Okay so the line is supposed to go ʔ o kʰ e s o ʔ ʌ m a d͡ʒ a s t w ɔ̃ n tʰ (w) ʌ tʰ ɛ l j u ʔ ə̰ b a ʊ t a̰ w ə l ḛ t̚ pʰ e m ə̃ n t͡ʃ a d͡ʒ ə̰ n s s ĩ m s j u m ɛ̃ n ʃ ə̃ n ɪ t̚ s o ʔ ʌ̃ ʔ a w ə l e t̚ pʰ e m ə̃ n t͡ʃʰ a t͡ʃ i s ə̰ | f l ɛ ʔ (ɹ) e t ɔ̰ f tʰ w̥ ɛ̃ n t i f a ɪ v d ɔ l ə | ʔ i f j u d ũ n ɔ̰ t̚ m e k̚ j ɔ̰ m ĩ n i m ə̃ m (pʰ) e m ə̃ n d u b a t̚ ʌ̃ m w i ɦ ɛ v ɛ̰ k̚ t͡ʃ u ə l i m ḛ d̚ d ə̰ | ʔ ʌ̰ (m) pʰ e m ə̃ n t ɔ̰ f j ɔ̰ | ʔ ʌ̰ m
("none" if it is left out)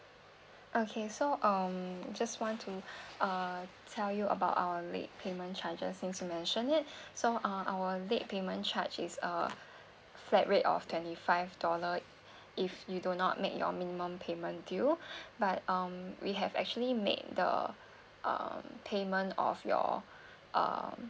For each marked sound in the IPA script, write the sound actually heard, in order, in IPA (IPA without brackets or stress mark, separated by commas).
u, ɹ, pʰ, m